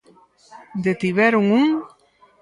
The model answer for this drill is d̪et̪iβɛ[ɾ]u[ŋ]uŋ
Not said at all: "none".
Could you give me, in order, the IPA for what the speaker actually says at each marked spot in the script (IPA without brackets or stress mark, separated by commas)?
ɾ, ŋ